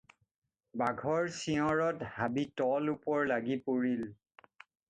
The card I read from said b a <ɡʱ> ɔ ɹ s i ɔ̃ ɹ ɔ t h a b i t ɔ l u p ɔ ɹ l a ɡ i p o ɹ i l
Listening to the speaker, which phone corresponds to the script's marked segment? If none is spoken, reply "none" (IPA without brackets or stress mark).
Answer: ɡʱ